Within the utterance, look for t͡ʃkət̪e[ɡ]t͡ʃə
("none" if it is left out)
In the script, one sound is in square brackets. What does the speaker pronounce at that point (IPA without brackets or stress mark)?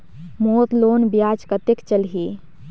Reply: k